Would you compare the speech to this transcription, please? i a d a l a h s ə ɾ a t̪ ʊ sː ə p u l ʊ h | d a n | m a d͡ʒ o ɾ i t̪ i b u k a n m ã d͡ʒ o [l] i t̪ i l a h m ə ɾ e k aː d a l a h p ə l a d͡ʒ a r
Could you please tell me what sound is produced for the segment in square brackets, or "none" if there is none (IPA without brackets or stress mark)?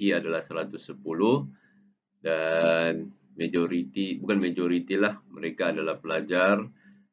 ɾ